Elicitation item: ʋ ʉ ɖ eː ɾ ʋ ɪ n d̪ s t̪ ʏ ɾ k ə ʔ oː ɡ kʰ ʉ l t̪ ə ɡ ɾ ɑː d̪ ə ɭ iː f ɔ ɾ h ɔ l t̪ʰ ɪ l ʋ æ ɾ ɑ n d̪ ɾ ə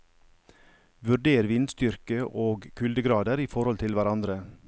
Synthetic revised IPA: ʋ ʉ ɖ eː ɾ ʋ ɪ n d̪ s t̪ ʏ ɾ k ə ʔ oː ɡ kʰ ʉ l d̪ ə ɡ ɾ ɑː d̪ ə ɾ iː f ɔ ɾ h ɔ l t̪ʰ ɪ l ʋ æ ɾ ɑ n d̪ ɾ ə